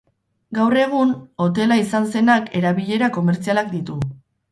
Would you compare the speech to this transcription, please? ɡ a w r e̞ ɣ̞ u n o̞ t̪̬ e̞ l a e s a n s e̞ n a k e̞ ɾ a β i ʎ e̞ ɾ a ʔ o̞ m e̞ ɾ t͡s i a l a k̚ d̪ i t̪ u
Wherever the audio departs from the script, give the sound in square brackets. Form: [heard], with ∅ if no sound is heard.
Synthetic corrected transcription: ɡ a w r e̞ ɣ̞ u n o̞ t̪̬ e̞ l a [i] s a n s e̞ n a k e̞ ɾ a β i ʎ e̞ ɾ a [k] o̞ m e̞ ɾ t͡s i a l a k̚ d̪ i t̪ u